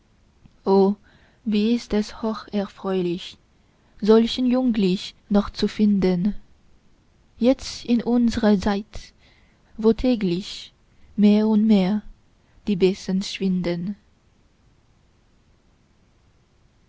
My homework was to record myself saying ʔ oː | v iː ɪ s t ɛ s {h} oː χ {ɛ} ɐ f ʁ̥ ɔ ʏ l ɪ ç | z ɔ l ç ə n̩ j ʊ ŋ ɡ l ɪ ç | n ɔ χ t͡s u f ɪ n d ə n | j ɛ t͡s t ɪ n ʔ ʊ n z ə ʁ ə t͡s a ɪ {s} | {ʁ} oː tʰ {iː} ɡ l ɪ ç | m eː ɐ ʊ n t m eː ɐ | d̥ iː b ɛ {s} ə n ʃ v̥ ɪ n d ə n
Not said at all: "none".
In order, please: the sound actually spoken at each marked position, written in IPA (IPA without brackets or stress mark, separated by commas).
h, ɛ, t, v, ɛː, s